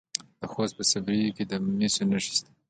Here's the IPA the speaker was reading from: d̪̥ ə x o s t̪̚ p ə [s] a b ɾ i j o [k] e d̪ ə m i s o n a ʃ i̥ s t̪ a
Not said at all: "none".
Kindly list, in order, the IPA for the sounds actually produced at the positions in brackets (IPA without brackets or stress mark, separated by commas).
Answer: s, k